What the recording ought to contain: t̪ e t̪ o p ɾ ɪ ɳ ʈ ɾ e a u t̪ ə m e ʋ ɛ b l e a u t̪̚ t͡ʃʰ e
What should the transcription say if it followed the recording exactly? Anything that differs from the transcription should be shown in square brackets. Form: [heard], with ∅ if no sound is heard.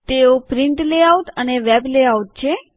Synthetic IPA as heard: t̪ e [∅] o p ɾ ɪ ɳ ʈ [l] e a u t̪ ə [n] e ʋ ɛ b l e a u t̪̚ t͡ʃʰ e